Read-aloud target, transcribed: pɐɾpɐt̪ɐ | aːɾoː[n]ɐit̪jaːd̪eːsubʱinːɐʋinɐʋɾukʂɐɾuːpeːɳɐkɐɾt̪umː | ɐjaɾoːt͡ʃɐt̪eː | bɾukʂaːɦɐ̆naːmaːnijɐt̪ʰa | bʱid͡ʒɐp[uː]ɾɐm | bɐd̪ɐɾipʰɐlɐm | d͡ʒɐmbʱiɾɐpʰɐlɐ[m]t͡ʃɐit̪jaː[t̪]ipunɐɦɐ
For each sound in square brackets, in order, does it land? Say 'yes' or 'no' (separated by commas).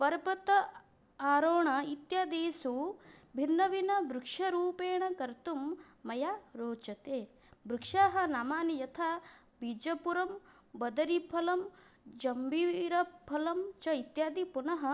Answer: no, no, yes, no